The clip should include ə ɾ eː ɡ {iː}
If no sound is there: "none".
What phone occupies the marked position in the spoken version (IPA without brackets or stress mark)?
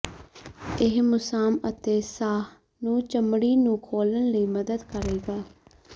aː